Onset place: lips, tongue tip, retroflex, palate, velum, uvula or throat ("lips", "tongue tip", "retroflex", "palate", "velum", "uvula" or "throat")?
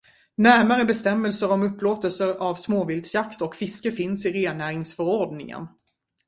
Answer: tongue tip